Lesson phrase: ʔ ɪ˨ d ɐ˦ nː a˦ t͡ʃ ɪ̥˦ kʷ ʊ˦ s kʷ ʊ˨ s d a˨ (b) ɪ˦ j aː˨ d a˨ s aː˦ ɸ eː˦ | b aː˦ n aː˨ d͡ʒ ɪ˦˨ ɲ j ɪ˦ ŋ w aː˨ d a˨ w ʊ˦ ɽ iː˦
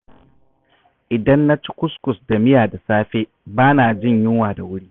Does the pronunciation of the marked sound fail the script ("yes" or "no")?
yes